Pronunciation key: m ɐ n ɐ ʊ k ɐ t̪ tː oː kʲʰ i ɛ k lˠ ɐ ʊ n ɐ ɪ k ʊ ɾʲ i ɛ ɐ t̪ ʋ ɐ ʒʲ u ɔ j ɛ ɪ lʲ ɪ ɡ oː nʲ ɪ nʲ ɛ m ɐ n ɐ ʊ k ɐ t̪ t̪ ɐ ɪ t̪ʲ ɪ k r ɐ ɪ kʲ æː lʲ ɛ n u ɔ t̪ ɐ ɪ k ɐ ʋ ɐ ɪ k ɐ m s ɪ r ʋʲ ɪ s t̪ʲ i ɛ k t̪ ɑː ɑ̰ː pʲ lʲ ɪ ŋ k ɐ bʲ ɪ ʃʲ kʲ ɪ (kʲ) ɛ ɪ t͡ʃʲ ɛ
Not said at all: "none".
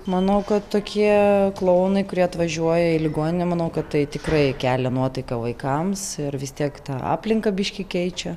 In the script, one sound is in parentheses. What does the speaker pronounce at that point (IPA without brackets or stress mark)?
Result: kʲ